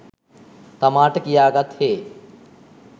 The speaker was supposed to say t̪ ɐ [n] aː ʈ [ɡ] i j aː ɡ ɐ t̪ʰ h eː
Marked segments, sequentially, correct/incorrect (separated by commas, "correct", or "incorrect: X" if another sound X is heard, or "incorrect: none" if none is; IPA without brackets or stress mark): incorrect: m, incorrect: k